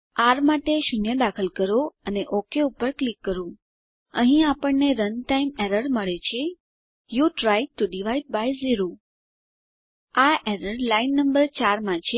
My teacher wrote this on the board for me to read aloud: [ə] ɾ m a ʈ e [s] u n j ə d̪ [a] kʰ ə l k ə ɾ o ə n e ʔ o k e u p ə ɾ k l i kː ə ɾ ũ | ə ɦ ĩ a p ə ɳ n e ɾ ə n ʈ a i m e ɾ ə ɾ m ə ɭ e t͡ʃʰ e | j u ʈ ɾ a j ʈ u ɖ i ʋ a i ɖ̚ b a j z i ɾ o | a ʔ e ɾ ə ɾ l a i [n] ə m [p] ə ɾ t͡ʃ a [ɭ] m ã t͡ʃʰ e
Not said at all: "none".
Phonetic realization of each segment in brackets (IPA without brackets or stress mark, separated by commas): a, ʃ, a, nː, b, ɾ